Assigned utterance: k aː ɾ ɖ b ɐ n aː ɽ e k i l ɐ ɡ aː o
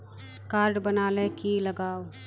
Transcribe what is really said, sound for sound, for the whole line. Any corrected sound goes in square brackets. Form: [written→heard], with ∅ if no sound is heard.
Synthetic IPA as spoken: k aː ɾ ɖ b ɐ n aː [ɽ→l] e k i l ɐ ɡ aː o